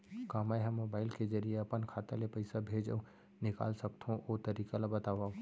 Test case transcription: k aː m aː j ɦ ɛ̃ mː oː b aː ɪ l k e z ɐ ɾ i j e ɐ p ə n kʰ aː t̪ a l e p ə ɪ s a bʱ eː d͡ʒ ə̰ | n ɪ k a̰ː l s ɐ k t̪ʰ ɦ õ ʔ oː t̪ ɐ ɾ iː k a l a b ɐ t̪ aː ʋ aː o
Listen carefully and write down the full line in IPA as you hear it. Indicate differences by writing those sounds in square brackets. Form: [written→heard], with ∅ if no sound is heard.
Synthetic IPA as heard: k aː m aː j ɦ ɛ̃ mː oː b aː ɪ l k e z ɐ ɾ i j e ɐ p ə n kʰ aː t̪ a l e p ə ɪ s a bʱ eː d͡ʒ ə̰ | n ɪ k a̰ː l s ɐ k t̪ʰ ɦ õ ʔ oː t̪ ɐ ɾ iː k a l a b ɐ t̪ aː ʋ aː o